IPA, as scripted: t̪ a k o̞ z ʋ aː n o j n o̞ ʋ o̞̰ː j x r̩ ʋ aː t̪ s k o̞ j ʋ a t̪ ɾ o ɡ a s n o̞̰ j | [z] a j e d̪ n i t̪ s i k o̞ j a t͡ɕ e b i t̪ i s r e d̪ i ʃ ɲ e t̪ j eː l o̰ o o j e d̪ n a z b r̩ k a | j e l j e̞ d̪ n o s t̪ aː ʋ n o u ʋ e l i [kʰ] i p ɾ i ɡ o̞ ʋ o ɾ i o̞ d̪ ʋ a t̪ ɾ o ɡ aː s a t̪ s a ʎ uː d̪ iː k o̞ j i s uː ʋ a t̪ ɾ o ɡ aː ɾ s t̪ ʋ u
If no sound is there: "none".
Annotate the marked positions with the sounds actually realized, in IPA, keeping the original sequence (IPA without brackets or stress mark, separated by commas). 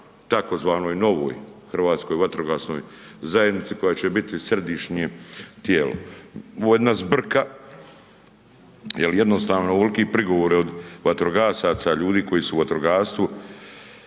z, k